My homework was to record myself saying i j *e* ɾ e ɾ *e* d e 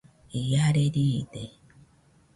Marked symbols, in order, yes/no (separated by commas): no, no